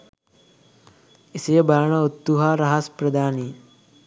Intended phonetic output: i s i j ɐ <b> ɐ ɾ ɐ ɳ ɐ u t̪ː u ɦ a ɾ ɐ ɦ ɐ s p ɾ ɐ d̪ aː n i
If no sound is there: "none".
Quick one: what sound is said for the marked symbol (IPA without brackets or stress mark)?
b